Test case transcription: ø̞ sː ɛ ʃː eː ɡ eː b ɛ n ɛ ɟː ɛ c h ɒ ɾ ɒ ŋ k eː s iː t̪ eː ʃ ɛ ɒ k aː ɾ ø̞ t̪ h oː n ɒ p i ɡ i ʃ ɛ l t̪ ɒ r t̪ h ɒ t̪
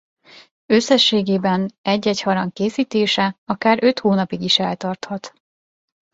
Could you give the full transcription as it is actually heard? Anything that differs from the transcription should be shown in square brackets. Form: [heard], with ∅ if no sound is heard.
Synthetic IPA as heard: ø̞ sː ɛ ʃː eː ɡ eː b ɛ n ɛ ɟː ɛ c h ɒ ɾ ɒ ŋ k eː s iː t̪ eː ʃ ɛ ɒ k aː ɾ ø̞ t̪ h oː n ɒ p i ɡ i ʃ ɛ l t̪ ɒ r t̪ h ɒ t̪